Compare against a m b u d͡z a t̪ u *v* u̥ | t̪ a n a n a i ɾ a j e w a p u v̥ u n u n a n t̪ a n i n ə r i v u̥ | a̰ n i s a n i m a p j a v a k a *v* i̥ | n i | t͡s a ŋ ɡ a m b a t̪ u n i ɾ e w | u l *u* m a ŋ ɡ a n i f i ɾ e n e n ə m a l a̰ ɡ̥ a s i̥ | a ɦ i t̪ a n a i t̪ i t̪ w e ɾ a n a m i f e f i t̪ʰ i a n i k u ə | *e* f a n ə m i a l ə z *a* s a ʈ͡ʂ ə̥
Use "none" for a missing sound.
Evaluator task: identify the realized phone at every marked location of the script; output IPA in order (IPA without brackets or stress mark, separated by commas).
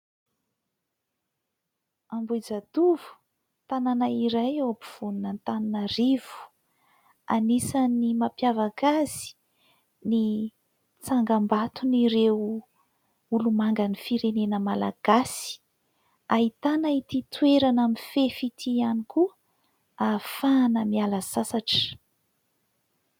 v, z, u, a, a